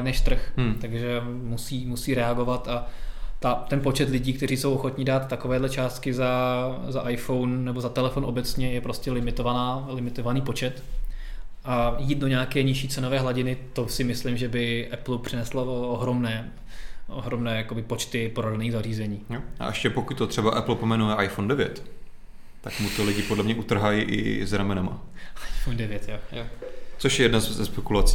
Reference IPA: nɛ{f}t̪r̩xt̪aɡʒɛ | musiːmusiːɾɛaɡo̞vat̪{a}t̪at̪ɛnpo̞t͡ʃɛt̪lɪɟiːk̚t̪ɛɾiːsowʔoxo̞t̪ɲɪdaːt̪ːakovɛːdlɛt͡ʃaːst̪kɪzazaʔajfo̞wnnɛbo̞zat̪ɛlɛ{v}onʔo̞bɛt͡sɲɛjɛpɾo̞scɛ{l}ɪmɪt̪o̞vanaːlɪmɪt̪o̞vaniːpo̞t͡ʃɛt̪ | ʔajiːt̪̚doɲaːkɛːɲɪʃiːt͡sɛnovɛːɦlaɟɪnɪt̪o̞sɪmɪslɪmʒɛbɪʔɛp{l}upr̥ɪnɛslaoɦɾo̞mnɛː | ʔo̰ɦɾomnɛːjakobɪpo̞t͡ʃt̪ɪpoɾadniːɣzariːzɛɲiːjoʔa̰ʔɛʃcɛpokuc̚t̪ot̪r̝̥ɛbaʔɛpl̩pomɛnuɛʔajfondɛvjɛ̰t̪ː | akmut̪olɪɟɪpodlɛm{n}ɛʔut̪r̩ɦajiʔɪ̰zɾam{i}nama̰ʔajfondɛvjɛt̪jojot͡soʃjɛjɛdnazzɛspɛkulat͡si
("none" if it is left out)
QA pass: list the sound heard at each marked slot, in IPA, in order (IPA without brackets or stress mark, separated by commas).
ʃ, a, f, l, l, ɲ, ɛ